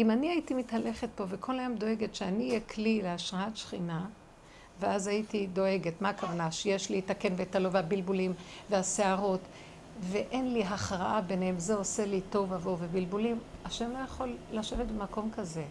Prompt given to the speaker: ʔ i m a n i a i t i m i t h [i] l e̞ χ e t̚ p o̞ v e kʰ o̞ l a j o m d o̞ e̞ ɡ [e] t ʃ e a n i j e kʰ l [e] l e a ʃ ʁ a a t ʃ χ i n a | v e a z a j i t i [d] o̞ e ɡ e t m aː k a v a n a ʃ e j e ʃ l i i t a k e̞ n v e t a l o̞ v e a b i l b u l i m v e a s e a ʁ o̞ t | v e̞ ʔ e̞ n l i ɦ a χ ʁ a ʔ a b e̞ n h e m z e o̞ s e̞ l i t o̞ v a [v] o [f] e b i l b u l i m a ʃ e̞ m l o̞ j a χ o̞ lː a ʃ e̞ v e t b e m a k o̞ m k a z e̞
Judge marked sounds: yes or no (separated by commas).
no, yes, no, yes, yes, no